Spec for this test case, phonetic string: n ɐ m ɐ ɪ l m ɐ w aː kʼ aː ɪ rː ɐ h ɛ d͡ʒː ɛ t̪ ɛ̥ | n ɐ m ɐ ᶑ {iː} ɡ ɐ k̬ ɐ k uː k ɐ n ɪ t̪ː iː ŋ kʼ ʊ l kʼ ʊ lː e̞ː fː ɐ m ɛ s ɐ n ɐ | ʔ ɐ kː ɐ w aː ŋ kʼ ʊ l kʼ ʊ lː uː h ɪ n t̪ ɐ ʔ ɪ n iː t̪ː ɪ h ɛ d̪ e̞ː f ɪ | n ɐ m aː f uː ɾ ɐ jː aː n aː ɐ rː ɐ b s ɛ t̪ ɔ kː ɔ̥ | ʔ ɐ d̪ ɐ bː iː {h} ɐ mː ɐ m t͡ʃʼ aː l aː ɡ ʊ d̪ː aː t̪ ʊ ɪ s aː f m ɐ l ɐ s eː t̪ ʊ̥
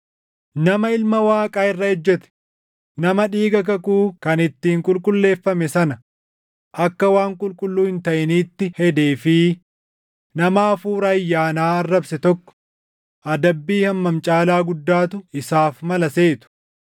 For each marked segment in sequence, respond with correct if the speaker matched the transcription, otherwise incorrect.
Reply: correct, correct

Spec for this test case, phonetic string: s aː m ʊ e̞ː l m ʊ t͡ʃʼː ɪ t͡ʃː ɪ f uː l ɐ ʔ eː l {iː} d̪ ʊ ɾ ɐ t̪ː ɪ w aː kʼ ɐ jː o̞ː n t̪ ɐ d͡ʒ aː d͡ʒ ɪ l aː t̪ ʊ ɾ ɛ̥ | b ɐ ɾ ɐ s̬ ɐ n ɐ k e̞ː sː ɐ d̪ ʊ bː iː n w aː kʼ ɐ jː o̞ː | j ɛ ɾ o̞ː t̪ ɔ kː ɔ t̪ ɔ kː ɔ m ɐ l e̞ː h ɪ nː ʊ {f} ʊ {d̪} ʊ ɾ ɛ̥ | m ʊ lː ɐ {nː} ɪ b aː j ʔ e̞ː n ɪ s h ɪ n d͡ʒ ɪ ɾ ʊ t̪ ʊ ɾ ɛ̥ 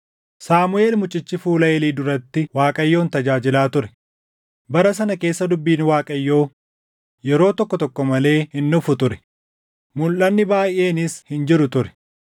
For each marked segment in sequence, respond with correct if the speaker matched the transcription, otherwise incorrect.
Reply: correct, correct, incorrect, correct

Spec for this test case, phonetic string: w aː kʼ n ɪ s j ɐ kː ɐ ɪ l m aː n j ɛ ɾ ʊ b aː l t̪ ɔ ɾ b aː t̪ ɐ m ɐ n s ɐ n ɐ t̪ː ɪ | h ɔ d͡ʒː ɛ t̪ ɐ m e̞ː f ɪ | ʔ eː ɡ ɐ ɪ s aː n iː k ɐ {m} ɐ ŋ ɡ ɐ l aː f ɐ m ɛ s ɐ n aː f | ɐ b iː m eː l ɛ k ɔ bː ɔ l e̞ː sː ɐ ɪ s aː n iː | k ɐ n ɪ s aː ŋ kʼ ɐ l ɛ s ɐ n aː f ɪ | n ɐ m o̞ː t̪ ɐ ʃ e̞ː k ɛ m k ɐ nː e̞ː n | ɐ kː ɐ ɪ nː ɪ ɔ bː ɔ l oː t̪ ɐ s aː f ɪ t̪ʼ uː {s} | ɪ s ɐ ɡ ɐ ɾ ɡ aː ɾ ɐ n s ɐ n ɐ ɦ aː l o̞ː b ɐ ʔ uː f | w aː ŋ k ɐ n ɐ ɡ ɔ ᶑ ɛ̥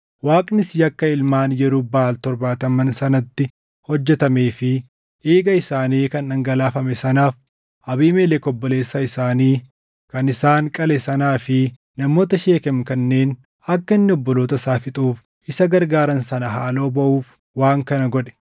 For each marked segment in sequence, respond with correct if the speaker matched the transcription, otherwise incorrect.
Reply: incorrect, incorrect

